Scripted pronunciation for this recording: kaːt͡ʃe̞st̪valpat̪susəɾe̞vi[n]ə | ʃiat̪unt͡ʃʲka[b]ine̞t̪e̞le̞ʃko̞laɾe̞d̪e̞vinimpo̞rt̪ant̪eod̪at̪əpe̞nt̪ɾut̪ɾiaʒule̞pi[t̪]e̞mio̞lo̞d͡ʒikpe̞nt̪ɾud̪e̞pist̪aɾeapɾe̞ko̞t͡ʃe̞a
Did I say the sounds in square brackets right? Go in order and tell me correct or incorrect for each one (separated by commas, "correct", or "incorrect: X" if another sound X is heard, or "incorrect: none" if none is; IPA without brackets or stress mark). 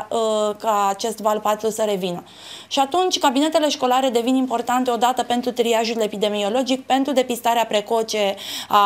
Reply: correct, correct, incorrect: d̪